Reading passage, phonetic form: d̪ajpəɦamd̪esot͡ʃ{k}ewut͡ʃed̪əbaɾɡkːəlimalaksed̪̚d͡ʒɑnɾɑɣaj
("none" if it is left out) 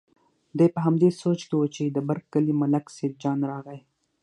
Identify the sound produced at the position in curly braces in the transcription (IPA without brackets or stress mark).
k